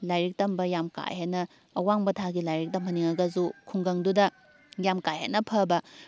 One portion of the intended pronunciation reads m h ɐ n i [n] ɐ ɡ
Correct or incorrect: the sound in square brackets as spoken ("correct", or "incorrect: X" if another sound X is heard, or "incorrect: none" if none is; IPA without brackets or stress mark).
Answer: incorrect: ŋ